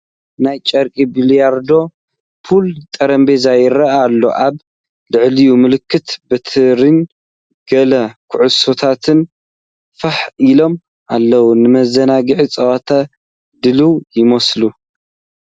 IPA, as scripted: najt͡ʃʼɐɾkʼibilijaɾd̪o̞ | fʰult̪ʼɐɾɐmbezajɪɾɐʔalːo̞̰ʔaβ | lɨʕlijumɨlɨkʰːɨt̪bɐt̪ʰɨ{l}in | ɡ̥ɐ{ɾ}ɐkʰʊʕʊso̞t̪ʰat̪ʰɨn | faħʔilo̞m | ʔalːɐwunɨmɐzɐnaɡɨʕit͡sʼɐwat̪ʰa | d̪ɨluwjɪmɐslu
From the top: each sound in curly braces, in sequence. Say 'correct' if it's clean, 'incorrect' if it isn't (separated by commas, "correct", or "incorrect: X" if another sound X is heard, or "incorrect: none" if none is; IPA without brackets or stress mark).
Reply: incorrect: ɾ, incorrect: l